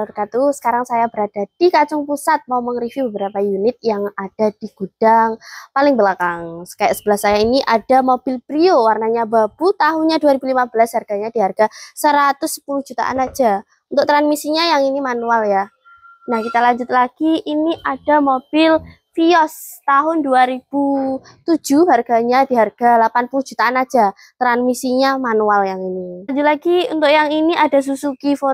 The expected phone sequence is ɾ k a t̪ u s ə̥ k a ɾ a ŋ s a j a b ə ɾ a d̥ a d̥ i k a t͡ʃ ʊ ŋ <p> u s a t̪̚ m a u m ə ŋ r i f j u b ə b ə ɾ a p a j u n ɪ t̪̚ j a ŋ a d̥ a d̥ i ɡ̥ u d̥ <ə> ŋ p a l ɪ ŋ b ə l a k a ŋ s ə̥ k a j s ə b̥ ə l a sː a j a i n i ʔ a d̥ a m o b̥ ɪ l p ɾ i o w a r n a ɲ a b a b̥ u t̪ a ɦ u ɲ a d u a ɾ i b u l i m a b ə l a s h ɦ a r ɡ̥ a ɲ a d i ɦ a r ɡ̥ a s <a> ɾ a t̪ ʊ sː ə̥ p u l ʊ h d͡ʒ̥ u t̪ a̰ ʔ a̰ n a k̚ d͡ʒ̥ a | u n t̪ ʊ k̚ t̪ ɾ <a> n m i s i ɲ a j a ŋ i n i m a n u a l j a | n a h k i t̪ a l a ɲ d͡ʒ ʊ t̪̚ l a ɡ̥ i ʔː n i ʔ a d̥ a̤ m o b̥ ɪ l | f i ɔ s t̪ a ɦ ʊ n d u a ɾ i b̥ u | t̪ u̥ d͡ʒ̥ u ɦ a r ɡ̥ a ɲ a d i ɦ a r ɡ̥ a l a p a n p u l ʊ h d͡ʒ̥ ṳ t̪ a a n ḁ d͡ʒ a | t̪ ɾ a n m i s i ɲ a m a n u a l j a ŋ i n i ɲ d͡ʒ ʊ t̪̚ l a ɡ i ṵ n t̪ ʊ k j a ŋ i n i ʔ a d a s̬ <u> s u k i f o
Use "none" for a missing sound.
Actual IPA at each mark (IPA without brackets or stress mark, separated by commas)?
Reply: p, a, ə, a, u